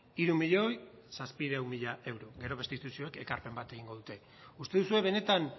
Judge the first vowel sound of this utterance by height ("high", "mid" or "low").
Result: high